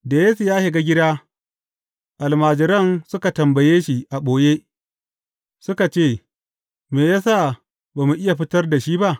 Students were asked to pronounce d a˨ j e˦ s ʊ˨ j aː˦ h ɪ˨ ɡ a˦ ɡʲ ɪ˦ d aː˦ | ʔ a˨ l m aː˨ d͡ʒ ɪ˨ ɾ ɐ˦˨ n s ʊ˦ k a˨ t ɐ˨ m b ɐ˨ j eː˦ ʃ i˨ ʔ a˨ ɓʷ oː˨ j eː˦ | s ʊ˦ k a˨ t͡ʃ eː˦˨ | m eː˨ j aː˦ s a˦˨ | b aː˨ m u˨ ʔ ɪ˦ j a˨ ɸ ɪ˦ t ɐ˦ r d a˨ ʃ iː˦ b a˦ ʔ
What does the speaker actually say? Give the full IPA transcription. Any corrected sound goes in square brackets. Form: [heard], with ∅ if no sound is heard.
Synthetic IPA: d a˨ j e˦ s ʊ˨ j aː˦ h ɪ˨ ɡ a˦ ɡʲ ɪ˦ d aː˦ | ʔ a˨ l m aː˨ d͡ʒ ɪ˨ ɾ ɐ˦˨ n s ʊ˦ k a˨ t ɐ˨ m b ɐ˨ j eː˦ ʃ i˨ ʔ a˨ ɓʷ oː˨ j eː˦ | s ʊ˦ k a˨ t͡ʃ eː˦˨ | m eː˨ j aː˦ s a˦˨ | b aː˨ m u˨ ʔ ɪ˦ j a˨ ɸ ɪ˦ t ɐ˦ r d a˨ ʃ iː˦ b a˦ ʔ